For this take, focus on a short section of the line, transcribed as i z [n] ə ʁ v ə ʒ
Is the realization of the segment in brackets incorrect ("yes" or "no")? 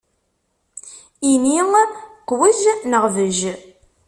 no